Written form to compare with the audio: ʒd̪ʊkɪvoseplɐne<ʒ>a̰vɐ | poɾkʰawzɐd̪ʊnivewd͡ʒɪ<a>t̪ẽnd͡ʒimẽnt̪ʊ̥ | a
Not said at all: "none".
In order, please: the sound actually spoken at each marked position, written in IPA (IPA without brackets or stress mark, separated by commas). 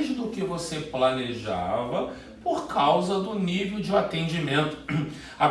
ʒ, a